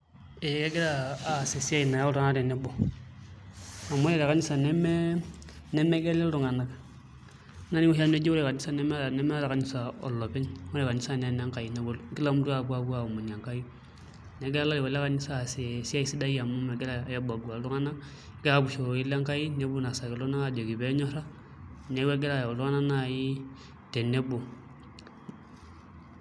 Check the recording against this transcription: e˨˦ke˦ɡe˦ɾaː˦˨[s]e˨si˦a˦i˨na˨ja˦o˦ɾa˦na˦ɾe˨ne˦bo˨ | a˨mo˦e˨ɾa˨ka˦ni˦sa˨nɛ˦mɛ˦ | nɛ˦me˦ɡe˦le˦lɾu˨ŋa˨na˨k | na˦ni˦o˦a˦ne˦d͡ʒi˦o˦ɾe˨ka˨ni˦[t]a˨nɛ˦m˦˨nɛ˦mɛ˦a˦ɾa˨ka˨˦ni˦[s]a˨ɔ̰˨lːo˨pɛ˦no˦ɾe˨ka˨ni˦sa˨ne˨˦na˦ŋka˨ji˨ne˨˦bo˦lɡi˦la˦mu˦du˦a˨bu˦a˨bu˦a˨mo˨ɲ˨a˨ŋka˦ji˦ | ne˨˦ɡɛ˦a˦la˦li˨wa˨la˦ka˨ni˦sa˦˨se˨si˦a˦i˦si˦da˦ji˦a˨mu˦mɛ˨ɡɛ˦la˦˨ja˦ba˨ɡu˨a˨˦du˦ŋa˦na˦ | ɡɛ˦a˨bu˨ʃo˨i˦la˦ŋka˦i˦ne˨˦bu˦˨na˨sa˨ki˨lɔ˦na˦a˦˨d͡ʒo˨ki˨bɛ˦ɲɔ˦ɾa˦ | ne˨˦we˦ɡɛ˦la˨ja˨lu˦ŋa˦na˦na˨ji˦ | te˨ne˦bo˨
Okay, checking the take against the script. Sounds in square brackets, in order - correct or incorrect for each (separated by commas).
correct, incorrect, correct